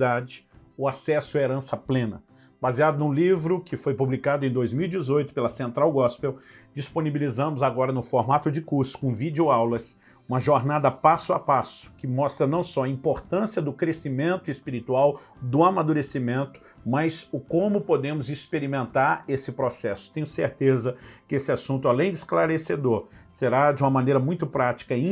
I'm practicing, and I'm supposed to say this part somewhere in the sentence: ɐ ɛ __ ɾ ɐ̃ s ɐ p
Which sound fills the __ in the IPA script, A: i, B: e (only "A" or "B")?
B